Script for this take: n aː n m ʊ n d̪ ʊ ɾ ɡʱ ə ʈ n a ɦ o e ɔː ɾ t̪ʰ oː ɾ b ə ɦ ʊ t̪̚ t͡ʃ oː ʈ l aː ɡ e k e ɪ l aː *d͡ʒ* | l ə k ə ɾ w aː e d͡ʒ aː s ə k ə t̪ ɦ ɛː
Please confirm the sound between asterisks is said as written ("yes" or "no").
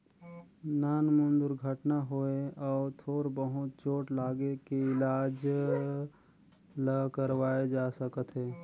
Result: yes